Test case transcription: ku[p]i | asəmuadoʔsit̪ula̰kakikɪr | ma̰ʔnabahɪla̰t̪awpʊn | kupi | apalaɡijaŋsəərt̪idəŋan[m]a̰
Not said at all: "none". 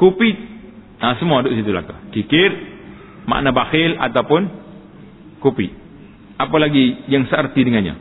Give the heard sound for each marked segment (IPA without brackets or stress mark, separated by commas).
p, ɲ